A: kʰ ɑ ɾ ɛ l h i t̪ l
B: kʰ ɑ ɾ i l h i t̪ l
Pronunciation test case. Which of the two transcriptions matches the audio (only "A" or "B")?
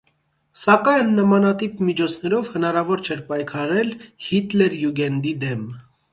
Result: A